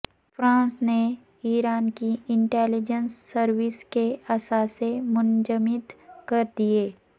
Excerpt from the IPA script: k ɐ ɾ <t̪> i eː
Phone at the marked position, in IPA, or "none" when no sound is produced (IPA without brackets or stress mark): d̪